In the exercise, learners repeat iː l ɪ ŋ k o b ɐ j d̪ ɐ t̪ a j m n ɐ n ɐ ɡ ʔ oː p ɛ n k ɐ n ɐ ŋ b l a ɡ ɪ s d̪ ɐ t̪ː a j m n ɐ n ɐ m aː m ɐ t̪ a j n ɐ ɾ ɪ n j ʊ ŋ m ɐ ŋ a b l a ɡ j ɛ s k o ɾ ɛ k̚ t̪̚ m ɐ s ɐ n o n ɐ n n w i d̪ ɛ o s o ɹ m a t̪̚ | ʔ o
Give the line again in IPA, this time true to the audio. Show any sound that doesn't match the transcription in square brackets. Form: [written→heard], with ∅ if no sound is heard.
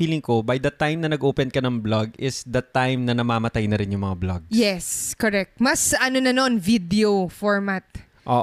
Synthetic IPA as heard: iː l ɪ ŋ k o b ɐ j d̪ ɐ t̪ a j m n ɐ n ɐ ɡ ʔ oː p ɛ n k ɐ n ɐ ŋ b l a ɡ ɪ s d̪ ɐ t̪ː a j m n ɐ n ɐ m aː m ɐ t̪ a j n ɐ ɾ ɪ n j ʊ ŋ m ɐ ŋ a b l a ɡ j ɛ s k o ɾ ɛ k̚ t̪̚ m ɐ s ɐ n o n ɐ n n [w→v] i d̪ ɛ o [s→f] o ɹ m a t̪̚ | ʔ o